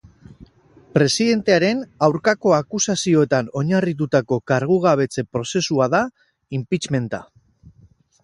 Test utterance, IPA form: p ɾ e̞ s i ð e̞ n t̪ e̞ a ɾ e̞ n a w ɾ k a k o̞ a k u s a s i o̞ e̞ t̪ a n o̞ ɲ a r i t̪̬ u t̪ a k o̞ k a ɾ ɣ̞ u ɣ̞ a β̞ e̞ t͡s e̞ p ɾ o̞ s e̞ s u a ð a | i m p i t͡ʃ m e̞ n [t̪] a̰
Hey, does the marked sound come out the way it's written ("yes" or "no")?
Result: yes